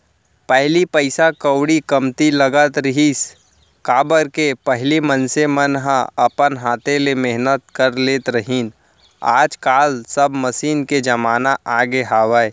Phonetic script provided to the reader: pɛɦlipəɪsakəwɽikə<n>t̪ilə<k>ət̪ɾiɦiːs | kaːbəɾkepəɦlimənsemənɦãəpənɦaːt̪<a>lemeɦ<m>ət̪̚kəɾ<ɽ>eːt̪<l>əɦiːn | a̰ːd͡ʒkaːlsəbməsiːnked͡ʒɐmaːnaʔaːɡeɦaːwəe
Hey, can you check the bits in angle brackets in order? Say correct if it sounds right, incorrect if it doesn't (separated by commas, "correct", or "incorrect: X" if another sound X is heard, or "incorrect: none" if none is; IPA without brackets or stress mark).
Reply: incorrect: m, incorrect: ɡ, incorrect: e, incorrect: n, incorrect: l, incorrect: ɾ